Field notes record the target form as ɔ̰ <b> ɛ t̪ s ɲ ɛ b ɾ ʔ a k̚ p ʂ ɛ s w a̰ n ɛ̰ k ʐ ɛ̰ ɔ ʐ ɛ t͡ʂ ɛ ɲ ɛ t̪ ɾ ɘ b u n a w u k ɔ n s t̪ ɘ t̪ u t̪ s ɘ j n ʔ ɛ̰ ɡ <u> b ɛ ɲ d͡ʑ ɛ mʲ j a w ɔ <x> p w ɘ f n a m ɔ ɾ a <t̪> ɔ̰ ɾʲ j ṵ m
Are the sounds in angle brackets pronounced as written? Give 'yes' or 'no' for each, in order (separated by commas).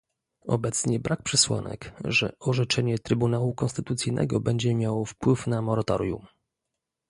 yes, no, no, yes